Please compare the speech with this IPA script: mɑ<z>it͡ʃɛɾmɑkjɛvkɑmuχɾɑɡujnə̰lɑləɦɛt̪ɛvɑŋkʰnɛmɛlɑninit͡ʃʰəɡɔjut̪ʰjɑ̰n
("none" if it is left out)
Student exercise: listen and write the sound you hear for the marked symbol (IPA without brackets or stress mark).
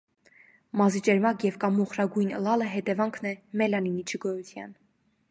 z